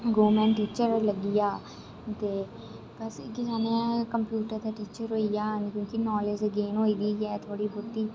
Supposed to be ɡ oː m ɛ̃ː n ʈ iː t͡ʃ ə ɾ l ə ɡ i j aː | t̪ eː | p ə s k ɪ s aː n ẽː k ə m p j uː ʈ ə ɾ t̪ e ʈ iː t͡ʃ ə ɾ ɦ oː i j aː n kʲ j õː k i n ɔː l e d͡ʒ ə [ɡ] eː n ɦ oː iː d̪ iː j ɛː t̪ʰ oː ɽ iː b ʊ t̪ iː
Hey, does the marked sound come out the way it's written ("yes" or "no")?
yes